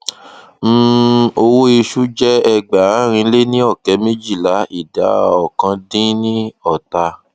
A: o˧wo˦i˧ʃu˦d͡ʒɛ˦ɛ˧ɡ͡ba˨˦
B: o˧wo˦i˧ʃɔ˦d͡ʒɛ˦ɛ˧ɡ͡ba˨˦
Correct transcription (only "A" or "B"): A